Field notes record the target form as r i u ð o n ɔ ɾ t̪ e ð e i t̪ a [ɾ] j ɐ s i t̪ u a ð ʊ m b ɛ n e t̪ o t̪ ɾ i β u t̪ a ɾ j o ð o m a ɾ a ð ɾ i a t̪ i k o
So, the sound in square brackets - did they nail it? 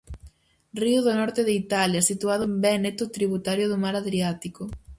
no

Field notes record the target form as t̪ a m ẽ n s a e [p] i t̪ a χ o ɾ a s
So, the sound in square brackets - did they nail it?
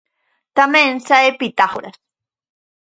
yes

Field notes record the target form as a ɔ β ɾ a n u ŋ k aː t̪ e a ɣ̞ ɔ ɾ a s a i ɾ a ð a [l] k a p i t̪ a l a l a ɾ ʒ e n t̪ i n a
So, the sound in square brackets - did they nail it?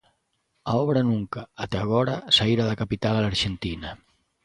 no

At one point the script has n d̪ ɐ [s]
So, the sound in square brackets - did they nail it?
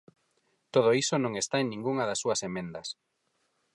yes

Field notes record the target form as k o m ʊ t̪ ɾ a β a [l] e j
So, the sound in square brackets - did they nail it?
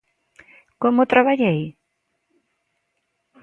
no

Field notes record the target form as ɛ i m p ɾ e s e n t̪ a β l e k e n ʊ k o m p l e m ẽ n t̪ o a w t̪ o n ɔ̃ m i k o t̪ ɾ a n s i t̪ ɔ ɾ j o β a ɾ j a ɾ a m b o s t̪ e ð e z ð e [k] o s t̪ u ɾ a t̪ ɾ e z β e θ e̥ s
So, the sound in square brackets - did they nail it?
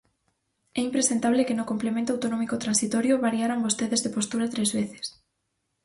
no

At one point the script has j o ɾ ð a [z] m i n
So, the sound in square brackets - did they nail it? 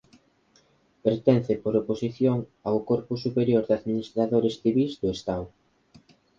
no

